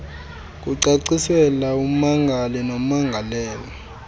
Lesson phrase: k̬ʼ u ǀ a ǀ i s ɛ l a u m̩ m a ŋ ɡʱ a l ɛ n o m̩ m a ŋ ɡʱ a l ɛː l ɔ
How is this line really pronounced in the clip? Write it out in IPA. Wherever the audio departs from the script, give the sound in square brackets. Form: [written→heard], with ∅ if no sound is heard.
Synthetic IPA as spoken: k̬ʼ u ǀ a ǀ i s ɛ l a u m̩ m a ŋ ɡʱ a l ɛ n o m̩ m a ŋ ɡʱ a l ɛː l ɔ